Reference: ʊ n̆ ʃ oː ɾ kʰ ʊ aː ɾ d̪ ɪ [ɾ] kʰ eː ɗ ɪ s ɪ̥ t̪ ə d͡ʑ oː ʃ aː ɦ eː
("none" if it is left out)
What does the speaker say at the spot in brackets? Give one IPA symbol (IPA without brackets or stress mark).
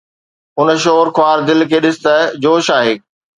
l